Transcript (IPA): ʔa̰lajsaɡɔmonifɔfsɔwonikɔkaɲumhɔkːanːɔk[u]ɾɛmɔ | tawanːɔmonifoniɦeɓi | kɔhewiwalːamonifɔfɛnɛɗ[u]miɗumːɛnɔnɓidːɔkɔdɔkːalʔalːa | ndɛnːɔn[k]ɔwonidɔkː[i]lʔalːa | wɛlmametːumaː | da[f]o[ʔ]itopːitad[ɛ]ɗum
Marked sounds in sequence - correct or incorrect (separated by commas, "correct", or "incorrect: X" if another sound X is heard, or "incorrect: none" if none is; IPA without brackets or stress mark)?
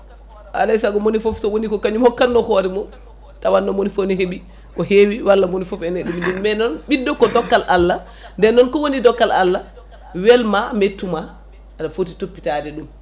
incorrect: ɔ, correct, correct, incorrect: a, correct, incorrect: t, correct